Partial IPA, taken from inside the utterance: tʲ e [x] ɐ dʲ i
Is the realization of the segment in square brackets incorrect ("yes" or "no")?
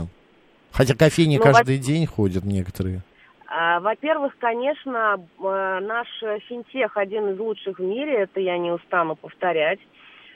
no